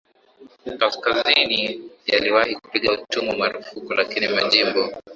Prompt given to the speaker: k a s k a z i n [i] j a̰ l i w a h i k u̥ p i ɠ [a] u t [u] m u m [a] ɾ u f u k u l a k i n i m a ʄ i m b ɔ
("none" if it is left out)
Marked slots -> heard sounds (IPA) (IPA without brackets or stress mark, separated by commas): i, a, u, a